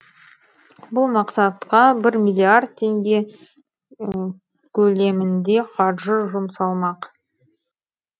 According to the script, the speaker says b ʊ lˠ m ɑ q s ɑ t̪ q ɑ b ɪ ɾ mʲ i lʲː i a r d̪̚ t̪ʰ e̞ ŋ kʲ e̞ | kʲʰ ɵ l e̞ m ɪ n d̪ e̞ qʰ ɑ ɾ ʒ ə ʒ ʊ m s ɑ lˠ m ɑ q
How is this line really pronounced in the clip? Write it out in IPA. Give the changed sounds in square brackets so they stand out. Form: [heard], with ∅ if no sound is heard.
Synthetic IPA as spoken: b ʊ lˠ m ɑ q s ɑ t̪ q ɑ b ɪ ɾ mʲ i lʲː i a r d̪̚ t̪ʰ e̞ ŋ [ɡʲ] e̞ | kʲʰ ɵ l e̞ m ɪ n d̪ e̞ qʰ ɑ ɾ ʒ ə ʒ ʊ m s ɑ lˠ m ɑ q